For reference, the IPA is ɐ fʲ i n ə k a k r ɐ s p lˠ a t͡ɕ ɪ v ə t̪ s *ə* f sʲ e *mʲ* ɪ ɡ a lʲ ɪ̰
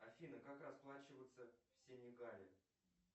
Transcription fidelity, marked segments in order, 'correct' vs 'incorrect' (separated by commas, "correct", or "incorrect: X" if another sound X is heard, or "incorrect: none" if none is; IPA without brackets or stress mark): correct, incorrect: nʲ